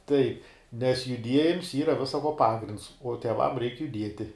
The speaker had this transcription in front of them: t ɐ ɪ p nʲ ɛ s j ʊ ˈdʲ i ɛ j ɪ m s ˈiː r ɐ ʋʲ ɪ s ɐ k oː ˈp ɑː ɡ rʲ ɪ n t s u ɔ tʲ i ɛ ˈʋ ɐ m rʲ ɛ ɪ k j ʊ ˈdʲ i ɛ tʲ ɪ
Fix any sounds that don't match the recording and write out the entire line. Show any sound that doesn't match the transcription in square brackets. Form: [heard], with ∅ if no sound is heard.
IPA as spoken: t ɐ ɪ p nʲ ɛ s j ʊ ˈdʲ i ɛ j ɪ m s ˈiː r ɐ ʋʲ ɪ s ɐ k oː ˈp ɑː ɡ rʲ ɪ n t s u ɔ tʲ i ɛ ˈʋ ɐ m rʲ ɛ ɪ k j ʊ ˈdʲ i ɛ tʲ ɪ